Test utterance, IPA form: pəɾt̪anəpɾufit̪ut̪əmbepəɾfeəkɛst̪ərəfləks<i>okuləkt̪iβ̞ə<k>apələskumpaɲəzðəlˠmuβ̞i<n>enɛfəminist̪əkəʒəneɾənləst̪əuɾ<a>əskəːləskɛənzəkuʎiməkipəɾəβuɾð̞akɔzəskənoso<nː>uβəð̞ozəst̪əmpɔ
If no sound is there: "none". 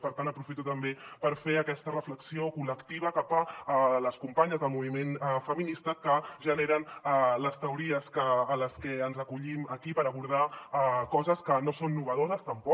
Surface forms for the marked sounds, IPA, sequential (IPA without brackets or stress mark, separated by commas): i, k, m, i, nː